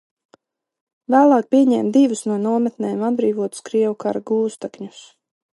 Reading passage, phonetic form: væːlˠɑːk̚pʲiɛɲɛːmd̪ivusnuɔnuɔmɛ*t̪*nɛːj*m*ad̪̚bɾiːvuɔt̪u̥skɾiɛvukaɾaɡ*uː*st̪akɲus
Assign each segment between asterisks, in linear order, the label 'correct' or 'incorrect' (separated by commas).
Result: correct, correct, correct